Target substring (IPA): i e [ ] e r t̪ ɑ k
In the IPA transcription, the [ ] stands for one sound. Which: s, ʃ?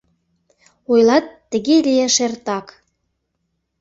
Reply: ʃ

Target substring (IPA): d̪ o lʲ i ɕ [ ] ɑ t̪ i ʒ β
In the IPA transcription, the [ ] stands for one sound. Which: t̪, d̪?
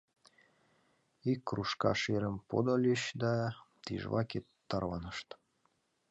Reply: d̪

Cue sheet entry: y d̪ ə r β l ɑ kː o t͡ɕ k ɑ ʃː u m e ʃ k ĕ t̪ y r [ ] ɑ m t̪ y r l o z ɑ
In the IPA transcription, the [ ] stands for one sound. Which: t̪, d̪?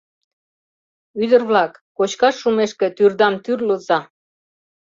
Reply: d̪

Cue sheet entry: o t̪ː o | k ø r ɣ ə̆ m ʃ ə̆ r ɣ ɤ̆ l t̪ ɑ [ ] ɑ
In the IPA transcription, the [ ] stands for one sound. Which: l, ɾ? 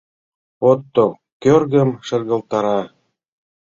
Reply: ɾ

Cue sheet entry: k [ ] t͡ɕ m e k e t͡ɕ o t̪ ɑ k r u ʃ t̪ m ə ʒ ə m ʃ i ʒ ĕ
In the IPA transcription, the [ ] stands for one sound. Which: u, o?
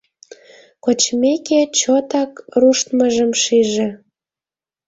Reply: o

